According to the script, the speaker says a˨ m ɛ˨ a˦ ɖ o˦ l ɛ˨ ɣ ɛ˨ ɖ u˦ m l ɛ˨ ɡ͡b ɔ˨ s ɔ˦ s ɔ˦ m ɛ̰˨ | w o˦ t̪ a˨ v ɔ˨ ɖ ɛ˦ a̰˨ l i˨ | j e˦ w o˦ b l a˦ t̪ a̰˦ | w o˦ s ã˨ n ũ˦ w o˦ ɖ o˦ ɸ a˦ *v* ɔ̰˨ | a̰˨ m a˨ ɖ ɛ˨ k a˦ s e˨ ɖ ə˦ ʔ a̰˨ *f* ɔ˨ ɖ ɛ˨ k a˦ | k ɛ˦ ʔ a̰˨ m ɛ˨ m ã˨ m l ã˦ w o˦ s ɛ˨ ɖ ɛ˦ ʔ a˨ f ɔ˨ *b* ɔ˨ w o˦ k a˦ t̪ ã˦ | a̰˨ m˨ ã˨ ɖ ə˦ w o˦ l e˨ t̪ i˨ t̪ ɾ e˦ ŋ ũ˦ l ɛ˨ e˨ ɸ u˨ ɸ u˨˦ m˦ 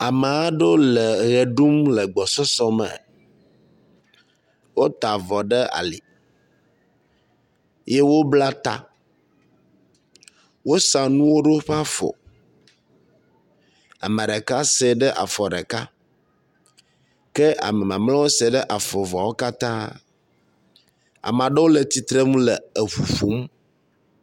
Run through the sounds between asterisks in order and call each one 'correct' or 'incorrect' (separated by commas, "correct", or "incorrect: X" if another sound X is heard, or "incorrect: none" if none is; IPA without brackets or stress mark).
incorrect: f, correct, incorrect: v